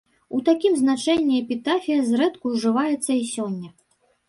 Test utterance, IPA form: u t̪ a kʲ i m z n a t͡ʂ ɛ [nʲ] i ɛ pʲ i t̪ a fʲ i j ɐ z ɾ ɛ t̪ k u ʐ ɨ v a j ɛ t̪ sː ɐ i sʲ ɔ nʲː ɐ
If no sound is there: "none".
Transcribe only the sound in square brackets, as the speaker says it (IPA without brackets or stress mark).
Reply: nʲː